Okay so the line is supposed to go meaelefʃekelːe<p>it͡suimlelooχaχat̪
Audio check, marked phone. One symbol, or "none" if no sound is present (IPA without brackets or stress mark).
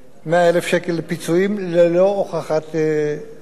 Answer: p